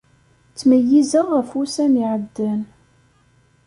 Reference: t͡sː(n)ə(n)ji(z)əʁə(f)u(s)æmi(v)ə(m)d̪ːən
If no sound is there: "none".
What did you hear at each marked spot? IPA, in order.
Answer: m, none, z, f, s, ʕ, none

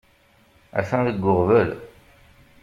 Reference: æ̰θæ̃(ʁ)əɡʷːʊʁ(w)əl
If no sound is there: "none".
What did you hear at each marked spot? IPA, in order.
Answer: ð, v

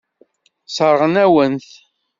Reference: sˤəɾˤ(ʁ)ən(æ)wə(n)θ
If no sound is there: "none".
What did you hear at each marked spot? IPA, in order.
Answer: ʁ, æ, n

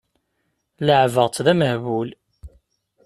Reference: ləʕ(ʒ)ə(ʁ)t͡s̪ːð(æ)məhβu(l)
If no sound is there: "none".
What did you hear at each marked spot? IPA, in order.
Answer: v, ʁ, æ, l

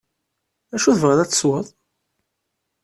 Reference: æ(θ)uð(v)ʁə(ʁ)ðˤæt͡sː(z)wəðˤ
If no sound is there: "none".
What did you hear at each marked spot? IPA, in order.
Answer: ʃ, v, none, s

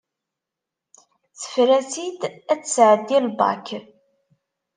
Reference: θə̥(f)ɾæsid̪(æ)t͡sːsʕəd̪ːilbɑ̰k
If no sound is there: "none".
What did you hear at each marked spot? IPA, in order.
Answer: f, æ

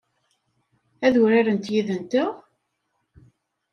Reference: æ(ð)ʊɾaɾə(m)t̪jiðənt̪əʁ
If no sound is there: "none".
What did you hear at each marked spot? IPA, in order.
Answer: ð, n

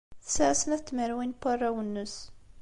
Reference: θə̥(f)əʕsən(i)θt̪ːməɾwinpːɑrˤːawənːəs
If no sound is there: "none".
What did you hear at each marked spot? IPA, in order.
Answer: s, æ

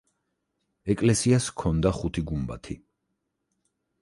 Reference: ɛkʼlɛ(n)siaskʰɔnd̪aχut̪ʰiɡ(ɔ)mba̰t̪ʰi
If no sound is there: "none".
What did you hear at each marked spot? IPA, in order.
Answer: none, u

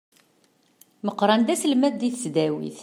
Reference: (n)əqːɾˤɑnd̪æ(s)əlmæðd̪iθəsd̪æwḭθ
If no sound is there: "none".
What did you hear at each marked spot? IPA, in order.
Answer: m, s

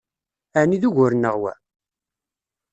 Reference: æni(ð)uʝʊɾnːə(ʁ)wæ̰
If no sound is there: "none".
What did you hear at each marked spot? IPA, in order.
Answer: ð, ʁ

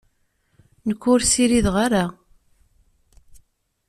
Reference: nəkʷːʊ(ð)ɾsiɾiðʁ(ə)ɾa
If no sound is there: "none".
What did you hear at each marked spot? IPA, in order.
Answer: none, a

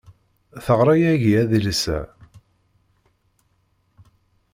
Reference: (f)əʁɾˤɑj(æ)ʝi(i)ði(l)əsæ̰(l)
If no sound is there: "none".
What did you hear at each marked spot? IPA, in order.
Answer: θ, æ, æ, l, none

